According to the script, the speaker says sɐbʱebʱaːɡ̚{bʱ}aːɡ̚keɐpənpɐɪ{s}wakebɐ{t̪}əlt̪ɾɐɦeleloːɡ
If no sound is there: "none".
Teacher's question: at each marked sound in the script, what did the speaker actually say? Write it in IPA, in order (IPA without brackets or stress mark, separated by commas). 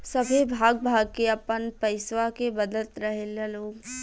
bʱ, s, d̪